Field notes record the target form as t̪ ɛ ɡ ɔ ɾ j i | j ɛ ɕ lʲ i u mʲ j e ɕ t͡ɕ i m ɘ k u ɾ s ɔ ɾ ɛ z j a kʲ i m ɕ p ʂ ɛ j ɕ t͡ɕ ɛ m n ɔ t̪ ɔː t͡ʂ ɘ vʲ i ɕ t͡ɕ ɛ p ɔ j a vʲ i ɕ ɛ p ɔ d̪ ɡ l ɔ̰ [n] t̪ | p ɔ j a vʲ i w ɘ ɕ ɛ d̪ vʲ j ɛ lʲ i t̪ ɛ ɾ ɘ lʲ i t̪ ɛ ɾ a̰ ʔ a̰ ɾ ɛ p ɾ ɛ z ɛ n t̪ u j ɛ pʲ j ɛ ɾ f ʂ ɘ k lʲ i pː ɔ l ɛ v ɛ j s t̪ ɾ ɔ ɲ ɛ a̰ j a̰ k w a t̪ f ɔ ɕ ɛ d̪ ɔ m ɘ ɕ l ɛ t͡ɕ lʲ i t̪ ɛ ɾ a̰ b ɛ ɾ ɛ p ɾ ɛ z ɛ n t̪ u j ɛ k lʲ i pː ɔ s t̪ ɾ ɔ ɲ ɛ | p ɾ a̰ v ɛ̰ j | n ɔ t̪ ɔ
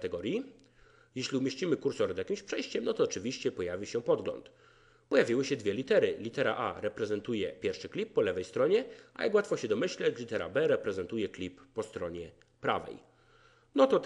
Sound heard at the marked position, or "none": n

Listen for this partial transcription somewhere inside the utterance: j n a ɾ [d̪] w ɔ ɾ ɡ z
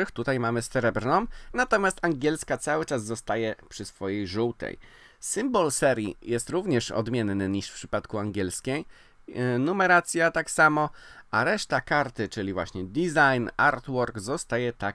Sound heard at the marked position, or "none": t̪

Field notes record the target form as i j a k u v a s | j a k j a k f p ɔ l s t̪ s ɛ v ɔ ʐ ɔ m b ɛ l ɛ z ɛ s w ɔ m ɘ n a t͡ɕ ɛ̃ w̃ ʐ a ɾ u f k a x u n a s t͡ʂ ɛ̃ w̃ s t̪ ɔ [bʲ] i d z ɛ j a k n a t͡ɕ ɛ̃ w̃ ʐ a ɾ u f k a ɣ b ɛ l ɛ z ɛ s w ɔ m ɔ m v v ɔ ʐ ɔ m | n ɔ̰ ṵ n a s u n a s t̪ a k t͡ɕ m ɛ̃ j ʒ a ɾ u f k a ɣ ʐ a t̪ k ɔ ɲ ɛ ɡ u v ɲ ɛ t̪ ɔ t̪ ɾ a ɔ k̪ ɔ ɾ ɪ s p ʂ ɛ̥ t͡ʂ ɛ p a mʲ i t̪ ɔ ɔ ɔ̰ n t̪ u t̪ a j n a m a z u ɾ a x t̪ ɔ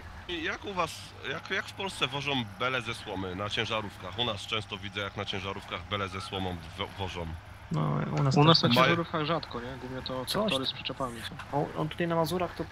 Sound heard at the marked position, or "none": vʲ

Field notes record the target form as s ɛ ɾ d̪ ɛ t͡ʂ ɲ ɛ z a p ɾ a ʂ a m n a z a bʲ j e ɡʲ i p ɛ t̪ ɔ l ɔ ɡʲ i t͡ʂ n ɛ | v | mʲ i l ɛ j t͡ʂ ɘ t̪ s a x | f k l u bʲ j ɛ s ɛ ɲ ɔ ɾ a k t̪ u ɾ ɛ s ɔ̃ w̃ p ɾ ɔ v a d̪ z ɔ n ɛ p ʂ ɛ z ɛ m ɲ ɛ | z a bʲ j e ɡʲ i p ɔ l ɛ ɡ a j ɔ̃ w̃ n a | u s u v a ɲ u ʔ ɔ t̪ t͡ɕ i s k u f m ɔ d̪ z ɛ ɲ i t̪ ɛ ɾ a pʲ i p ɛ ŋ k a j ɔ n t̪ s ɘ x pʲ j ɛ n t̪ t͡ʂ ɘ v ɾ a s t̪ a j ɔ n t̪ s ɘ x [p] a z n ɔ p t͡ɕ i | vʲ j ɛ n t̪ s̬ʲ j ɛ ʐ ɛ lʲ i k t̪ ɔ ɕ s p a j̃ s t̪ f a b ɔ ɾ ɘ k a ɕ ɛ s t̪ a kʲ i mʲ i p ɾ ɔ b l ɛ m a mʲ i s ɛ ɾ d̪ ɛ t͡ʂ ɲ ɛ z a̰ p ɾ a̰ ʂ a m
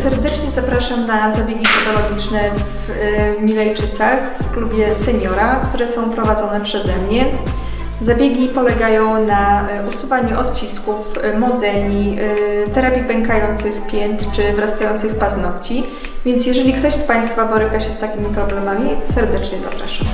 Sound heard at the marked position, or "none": p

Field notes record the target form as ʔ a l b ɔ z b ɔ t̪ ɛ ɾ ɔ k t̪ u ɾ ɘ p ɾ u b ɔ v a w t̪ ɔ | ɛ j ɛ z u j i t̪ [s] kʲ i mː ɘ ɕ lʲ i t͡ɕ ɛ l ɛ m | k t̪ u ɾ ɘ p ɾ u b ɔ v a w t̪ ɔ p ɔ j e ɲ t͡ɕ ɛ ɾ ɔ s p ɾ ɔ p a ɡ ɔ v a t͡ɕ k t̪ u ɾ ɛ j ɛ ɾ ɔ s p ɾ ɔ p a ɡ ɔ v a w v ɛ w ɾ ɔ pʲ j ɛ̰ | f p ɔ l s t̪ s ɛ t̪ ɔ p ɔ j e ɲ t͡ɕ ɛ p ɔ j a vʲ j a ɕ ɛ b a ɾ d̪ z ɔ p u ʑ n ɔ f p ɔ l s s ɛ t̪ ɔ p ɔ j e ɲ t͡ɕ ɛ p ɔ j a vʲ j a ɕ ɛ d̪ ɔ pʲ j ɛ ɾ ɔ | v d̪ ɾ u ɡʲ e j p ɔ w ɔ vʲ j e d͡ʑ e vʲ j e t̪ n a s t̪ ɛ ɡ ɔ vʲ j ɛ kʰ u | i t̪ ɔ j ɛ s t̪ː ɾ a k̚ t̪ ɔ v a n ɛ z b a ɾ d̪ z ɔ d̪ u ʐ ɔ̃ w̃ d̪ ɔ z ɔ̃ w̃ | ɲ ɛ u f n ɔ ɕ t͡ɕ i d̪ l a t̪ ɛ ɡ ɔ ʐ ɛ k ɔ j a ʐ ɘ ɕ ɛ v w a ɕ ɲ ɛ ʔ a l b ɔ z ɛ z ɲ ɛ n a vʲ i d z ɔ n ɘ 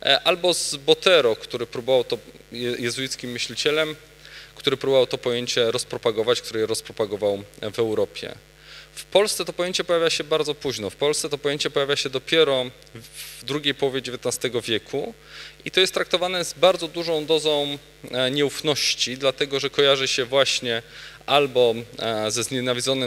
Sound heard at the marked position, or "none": s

